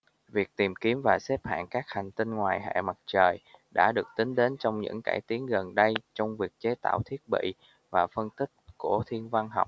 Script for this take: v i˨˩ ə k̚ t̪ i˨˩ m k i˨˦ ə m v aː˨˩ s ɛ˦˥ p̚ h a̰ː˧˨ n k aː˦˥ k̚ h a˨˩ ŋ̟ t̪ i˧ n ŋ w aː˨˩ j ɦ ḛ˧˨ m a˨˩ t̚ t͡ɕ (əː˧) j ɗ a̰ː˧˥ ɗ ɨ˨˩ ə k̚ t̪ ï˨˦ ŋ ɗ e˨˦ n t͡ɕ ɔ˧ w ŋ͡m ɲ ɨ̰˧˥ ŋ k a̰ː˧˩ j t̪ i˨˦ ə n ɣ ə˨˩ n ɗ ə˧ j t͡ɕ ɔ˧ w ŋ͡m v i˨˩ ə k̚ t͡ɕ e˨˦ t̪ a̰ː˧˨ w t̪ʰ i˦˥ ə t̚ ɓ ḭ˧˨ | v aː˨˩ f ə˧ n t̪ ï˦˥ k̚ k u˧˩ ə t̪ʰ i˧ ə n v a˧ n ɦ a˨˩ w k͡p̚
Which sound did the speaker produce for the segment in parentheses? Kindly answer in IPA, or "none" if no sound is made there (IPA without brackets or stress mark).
əː˨˩